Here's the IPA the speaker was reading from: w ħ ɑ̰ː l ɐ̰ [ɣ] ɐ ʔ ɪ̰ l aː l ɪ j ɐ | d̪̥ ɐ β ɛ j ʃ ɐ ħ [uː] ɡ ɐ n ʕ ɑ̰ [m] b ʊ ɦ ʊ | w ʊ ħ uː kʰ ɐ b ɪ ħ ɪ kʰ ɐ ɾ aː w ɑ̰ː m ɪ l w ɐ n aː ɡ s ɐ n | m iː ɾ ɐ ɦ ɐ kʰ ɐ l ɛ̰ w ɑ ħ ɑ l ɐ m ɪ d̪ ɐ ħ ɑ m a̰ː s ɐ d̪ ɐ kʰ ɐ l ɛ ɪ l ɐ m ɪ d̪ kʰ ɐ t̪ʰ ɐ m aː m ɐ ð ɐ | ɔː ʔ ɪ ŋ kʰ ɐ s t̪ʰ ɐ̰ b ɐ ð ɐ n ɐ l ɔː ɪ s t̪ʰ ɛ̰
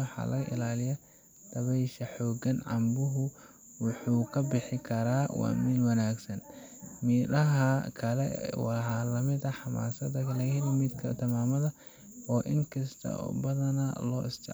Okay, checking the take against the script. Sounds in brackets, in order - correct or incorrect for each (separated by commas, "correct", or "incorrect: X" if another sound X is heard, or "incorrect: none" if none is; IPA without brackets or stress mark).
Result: correct, incorrect: ɔː, correct